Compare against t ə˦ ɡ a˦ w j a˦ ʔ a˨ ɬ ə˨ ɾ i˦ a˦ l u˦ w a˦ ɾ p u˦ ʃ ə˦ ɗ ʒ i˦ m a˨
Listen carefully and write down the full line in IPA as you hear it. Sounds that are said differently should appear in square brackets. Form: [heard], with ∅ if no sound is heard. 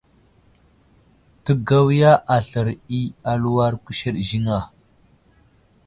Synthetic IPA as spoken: t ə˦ ɡ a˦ w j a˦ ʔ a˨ ɬ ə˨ ɾ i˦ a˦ l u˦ w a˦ ɾ [k] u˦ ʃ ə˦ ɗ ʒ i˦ [ŋ] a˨